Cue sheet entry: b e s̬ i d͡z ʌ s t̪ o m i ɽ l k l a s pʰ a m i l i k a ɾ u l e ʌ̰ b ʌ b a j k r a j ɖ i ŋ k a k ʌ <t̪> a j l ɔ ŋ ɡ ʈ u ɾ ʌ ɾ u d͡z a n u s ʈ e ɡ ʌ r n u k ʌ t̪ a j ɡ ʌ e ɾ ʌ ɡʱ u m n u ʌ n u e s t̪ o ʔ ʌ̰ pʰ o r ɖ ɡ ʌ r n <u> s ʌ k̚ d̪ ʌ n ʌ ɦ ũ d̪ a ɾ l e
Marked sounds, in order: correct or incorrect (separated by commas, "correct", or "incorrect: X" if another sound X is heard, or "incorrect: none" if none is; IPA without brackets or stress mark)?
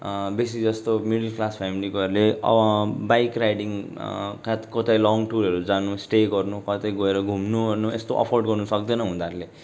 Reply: correct, correct